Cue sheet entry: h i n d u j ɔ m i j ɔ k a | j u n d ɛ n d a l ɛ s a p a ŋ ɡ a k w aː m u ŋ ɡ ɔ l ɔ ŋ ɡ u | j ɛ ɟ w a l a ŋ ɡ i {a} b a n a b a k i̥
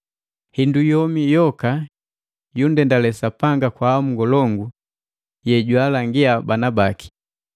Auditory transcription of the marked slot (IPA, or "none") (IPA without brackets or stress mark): a